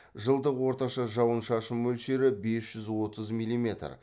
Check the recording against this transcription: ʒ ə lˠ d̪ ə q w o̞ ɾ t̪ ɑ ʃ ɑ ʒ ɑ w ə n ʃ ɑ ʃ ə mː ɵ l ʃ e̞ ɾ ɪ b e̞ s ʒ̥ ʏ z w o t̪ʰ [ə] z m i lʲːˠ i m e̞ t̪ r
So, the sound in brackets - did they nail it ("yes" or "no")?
yes